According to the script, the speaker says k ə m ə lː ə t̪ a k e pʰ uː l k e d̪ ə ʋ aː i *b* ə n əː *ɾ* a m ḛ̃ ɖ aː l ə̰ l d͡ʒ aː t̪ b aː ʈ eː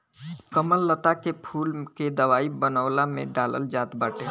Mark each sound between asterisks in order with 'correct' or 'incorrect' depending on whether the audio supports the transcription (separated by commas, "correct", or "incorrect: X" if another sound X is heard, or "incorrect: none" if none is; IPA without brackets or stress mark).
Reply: correct, incorrect: l